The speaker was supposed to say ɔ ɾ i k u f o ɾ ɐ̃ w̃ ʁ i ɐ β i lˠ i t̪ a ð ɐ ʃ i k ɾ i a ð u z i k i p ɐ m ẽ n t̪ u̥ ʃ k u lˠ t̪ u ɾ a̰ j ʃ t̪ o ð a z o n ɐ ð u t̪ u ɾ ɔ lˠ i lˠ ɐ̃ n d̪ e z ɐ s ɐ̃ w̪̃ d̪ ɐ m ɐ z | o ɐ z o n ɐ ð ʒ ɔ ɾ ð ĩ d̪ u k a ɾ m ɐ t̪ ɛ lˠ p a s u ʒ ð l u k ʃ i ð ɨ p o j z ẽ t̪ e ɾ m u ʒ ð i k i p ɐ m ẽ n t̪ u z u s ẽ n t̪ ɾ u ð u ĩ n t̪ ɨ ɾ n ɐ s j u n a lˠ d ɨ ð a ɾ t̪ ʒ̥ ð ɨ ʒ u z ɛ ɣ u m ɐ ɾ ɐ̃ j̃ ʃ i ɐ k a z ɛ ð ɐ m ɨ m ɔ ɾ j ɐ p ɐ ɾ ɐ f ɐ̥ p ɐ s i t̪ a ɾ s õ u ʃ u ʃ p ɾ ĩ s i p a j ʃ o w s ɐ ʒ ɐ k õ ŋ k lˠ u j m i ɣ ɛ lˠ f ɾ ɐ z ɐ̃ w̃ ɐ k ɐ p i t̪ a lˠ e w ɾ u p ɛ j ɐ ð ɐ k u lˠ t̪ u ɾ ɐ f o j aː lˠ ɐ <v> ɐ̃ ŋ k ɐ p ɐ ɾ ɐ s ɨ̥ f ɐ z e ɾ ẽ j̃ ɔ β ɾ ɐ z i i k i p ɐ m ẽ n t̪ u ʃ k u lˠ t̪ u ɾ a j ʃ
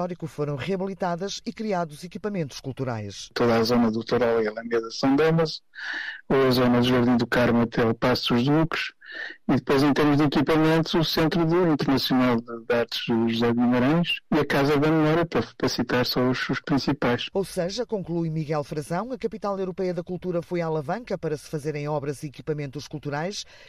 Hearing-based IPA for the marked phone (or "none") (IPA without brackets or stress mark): v